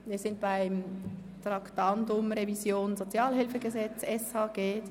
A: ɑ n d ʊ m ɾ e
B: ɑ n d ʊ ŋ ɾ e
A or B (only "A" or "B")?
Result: A